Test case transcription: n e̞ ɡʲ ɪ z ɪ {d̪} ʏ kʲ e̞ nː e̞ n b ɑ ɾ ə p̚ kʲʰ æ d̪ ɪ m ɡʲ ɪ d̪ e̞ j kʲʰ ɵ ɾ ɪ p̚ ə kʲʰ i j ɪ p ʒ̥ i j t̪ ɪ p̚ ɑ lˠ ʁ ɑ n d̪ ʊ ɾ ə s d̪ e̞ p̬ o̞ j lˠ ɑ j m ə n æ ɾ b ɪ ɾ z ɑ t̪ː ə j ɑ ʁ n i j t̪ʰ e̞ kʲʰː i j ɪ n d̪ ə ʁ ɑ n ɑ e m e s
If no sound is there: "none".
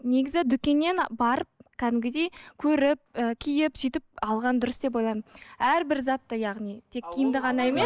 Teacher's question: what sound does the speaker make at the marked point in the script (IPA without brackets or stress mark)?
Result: d̪